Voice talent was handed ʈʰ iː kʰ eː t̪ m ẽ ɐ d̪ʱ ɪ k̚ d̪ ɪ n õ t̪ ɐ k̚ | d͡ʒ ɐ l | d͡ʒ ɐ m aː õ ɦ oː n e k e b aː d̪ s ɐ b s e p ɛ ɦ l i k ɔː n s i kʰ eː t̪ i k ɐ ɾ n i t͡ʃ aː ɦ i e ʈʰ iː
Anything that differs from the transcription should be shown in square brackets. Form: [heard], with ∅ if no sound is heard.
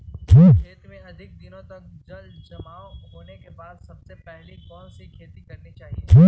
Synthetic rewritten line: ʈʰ iː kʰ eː t̪ m ẽ ɐ d̪ʱ ɪ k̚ d̪ ɪ n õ t̪ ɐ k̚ | d͡ʒ ɐ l | d͡ʒ ɐ m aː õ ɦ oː n e k e b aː d̪ s ɐ b s e p ɛ ɦ l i k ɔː n s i kʰ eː t̪ i k ɐ ɾ n i t͡ʃ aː ɦ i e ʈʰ iː